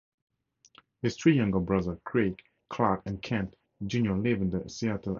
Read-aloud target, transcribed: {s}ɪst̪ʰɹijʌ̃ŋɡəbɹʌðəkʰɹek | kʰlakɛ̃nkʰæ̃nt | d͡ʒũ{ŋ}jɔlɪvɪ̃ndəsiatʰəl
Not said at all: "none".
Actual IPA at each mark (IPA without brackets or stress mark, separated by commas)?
h, n